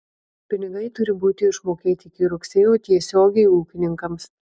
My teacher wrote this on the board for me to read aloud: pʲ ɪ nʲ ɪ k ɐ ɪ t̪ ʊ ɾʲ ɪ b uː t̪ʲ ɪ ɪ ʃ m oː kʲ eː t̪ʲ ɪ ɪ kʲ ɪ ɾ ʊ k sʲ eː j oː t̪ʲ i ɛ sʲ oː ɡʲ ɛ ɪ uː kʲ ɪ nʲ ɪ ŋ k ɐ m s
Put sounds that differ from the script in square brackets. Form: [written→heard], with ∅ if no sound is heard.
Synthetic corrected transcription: pʲ ɪ nʲ ɪ [k→ɡ] ɐ ɪ t̪ ʊ ɾʲ ɪ b uː t̪ʲ ɪ ɪ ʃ m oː kʲ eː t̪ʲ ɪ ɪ kʲ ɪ ɾ ʊ k sʲ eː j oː t̪ʲ i ɛ sʲ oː ɡʲ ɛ ɪ uː kʲ ɪ nʲ ɪ ŋ k ɐ m s